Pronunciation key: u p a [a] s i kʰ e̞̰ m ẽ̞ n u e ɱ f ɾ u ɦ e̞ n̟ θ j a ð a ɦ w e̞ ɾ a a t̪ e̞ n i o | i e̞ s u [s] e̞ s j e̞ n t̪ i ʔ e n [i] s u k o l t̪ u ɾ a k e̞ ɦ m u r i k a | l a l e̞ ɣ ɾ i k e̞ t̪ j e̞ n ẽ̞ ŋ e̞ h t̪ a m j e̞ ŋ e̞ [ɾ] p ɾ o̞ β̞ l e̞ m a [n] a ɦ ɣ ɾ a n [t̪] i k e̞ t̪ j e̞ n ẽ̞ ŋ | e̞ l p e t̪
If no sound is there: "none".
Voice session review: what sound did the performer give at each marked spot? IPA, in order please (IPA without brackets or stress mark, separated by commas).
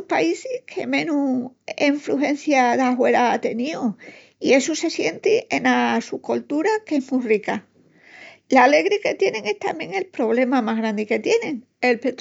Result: i, s, a, l, m, d̪